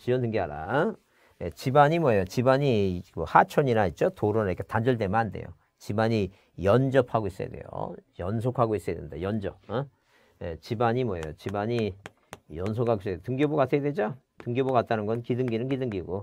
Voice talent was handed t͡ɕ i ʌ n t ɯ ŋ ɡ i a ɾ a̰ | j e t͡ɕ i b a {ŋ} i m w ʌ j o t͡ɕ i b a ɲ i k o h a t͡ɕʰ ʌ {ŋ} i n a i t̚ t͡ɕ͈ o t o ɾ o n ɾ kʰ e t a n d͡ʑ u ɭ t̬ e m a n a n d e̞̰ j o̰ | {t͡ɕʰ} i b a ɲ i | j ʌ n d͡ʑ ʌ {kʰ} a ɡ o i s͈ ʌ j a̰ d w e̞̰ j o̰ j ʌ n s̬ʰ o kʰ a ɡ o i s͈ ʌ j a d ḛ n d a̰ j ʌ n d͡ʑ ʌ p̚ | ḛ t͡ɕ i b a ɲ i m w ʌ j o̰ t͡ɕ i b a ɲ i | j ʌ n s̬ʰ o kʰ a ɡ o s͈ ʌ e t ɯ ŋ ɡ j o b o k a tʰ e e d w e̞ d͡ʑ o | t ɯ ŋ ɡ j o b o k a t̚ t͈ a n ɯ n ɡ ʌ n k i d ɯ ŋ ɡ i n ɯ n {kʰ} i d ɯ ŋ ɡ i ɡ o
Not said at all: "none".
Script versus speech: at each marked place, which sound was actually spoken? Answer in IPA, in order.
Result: ɲ, ɲ, t͡ɕ, pʰ, k

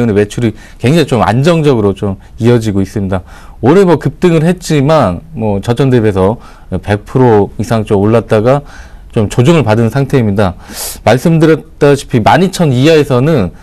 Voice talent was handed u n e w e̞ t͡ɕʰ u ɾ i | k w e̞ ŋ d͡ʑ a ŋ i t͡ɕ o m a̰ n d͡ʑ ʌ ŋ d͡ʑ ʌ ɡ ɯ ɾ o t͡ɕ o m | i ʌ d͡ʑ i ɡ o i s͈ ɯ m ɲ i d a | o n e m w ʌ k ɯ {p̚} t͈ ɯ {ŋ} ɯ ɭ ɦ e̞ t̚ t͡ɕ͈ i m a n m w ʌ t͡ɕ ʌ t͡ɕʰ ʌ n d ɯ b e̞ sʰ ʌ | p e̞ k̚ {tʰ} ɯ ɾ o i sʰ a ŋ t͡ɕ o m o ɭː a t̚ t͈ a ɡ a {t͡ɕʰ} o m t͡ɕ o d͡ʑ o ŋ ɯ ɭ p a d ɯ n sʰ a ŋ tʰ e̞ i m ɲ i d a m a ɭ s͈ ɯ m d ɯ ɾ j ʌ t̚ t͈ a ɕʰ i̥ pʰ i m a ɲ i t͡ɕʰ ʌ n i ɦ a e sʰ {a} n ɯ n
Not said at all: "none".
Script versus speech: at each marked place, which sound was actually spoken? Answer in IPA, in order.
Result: p̚, ŋ, pʰ, t͡ɕ, ʌ

